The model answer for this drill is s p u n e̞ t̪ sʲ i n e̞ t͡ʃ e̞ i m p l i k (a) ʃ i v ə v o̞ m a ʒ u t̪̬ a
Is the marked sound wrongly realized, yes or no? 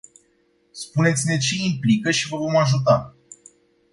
yes